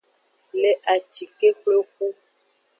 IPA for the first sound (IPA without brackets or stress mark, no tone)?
l